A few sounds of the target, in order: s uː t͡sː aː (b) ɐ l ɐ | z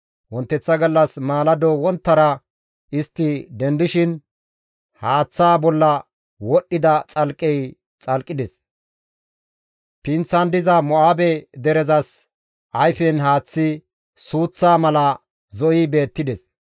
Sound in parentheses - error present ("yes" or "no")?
yes